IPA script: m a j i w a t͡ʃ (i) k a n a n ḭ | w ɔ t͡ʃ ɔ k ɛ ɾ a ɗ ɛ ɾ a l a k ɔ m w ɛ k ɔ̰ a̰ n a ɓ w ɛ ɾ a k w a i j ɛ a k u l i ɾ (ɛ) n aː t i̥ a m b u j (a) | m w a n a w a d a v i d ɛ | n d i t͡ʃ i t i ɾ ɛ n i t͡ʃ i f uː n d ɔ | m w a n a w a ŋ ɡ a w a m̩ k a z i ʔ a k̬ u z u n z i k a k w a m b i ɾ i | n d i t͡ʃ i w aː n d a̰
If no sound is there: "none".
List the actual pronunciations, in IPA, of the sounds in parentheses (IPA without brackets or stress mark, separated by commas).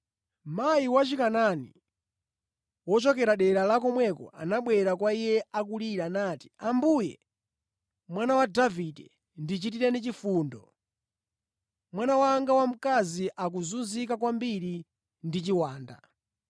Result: i, a, ɛ